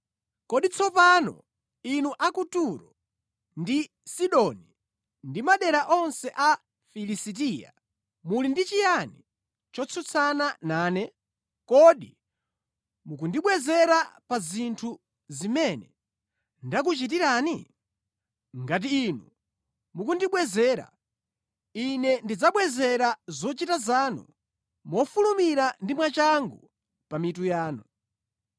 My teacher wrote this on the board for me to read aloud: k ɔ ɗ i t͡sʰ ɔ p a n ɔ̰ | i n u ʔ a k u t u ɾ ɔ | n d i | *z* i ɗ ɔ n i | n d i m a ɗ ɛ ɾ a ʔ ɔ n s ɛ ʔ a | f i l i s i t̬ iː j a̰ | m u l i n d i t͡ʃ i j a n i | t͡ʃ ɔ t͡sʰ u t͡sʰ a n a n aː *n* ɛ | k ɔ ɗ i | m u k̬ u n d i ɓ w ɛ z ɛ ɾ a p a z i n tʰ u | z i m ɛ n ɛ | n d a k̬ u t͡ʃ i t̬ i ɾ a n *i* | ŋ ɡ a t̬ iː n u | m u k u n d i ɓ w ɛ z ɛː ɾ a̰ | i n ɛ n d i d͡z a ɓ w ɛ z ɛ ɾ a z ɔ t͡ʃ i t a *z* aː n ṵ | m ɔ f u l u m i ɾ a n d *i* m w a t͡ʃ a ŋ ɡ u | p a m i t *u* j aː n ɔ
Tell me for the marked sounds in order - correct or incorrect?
incorrect: s, correct, correct, correct, correct, correct

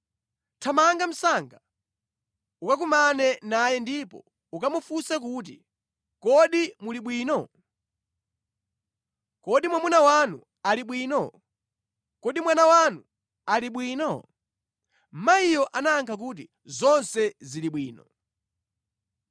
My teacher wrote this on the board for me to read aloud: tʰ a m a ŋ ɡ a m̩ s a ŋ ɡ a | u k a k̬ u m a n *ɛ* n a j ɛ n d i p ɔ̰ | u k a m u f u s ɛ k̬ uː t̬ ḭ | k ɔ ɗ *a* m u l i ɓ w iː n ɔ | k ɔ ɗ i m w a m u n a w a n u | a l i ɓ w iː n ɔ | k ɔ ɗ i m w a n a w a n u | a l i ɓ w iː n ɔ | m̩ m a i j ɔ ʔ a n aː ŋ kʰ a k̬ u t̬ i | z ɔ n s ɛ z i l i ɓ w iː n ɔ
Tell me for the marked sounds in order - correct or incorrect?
correct, incorrect: i

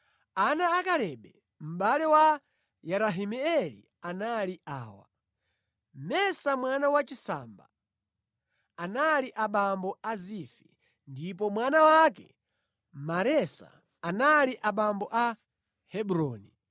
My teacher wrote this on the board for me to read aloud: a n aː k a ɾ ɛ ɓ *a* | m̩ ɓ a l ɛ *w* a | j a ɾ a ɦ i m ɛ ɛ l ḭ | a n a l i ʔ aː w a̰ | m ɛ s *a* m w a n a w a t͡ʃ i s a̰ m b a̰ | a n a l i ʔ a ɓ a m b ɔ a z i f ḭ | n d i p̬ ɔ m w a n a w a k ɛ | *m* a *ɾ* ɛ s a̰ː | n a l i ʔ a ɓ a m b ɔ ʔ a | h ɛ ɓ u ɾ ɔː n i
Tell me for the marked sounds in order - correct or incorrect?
incorrect: ɛ, correct, correct, correct, correct

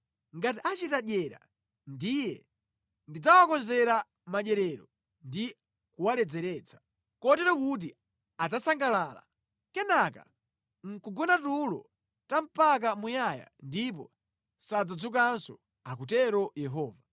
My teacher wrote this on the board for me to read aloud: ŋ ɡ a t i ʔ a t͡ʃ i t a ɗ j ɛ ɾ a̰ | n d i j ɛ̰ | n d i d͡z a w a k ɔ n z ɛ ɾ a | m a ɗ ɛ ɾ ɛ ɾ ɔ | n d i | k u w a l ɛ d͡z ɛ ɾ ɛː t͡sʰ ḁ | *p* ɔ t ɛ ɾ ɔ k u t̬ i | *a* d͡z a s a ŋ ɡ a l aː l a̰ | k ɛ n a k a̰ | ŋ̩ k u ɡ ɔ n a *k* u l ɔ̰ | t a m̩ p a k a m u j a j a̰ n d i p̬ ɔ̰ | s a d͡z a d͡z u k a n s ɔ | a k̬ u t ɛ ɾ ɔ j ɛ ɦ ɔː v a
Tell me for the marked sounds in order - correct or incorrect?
incorrect: k, correct, incorrect: t

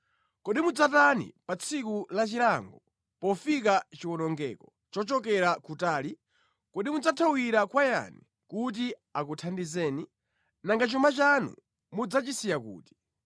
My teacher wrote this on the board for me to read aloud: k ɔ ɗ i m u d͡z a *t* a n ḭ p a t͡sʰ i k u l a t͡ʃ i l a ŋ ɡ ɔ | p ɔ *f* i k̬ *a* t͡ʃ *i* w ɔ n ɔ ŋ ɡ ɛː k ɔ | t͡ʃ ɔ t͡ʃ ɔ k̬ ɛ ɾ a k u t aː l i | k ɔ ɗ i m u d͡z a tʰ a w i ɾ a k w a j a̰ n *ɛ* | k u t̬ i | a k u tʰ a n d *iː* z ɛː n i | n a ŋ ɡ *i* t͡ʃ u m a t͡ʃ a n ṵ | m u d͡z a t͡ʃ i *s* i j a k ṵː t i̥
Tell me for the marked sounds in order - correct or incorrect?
correct, correct, correct, correct, incorrect: i, incorrect: i, incorrect: a, correct

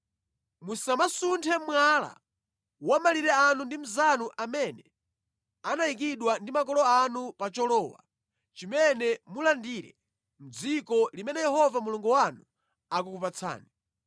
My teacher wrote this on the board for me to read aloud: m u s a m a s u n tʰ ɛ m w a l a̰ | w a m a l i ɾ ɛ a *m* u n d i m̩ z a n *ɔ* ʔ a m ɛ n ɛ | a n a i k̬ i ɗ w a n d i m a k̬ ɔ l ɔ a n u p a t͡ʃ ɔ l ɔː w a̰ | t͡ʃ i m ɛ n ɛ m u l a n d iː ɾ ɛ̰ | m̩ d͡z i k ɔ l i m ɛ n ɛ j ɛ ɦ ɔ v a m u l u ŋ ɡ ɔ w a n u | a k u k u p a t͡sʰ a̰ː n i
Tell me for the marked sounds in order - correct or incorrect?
incorrect: n, incorrect: u

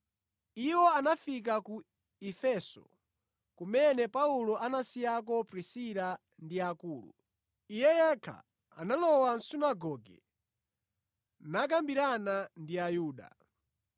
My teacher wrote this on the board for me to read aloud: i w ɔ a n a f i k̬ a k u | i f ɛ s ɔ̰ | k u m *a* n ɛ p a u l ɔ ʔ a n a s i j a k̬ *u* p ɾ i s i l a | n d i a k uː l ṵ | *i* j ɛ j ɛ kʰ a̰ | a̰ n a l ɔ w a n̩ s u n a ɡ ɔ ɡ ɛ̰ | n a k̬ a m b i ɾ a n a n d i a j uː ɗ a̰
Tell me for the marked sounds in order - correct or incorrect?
incorrect: ɛ, incorrect: ɔ, correct

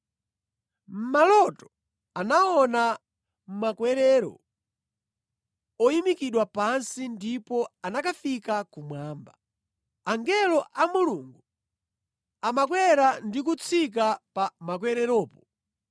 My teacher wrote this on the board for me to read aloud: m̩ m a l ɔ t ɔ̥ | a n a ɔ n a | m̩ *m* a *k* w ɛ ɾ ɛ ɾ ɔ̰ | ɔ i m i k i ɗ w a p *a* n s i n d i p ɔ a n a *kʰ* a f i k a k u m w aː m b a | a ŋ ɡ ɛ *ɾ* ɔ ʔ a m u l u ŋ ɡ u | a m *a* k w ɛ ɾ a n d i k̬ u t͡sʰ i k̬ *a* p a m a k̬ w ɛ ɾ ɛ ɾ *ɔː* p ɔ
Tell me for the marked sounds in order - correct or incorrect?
correct, correct, correct, incorrect: k, incorrect: l, correct, correct, correct

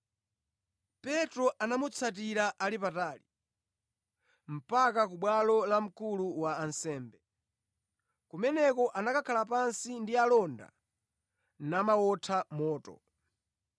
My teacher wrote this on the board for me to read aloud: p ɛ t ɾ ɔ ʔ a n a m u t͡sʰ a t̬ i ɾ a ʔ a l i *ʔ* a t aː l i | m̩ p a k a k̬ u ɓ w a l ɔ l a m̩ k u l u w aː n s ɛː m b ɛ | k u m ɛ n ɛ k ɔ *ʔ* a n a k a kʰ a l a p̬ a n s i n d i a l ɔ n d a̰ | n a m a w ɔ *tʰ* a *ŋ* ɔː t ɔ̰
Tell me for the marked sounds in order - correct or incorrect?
incorrect: p, correct, correct, incorrect: m

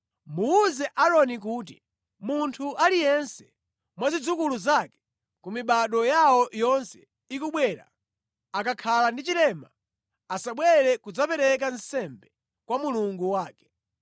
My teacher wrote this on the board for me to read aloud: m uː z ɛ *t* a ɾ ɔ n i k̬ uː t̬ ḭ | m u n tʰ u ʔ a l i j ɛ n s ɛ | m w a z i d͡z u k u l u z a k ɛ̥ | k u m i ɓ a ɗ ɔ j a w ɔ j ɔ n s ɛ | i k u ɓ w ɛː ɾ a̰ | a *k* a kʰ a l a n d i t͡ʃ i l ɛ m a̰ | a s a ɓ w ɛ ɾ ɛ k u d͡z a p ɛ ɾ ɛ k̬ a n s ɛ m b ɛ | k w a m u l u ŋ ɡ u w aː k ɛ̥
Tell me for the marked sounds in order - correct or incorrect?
incorrect: ʔ, correct

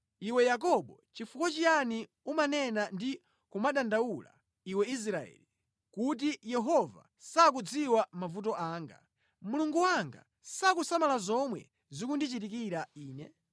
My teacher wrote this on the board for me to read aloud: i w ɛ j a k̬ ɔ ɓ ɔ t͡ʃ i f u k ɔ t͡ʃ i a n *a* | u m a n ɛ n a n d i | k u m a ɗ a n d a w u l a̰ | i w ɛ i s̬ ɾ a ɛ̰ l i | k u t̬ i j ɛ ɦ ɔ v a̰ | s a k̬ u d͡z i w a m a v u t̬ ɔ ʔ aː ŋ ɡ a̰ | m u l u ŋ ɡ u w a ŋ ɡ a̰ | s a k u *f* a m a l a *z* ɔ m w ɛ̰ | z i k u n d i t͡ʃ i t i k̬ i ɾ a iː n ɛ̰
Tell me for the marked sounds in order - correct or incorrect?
incorrect: i, incorrect: s, correct

